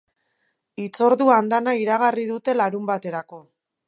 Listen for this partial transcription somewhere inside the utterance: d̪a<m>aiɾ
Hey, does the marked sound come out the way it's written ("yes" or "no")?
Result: no